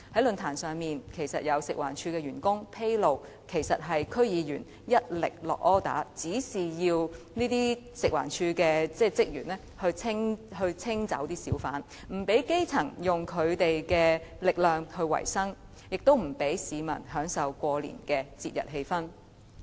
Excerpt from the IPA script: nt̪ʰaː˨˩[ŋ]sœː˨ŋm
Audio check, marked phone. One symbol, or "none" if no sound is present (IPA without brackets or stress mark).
n